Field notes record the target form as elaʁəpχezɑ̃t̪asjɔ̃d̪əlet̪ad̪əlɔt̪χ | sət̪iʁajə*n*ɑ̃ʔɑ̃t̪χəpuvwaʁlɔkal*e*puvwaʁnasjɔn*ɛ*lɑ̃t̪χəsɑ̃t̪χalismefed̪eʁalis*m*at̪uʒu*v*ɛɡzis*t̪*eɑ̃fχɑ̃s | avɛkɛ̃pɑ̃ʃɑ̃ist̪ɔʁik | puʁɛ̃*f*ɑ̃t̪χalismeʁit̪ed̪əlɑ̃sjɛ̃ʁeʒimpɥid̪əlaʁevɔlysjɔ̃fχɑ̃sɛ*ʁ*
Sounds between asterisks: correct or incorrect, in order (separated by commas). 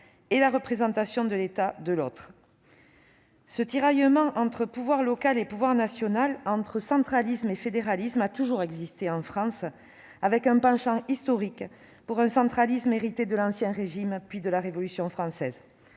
incorrect, correct, incorrect, correct, incorrect, correct, incorrect, incorrect